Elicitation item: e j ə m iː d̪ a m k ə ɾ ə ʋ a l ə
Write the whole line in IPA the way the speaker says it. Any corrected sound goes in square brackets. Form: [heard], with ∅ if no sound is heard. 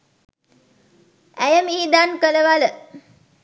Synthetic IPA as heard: [æ] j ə m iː d̪ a [n] k ə [l] ə ʋ a l ə